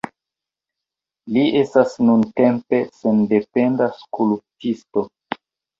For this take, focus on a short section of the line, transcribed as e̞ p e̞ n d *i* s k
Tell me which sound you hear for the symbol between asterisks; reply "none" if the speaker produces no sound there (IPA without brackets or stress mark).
a